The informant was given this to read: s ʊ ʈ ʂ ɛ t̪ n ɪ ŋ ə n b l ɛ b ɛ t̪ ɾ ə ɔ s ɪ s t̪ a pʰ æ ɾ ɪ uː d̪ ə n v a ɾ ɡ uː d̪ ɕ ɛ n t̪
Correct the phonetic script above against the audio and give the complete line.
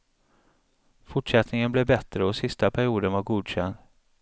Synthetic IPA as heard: f ʊ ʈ ʂ ɛ t̪ n ɪ ŋ ə n b l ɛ b ɛ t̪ ɾ ə ɔ s ɪ s t̪ a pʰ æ ɾ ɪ uː d̪ ə n v a ɾ ɡ uː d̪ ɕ ɛ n d̪